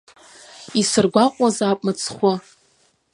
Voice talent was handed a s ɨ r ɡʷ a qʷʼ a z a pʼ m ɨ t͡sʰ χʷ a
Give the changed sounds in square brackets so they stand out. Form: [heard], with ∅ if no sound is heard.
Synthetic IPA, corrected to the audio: [i] s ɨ r ɡʷ a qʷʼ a z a pʼ m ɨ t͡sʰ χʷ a